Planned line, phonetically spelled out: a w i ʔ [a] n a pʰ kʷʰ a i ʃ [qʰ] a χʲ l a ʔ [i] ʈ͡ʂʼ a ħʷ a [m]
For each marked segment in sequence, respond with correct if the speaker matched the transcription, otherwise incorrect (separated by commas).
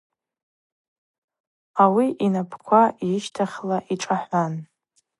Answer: incorrect, incorrect, correct, incorrect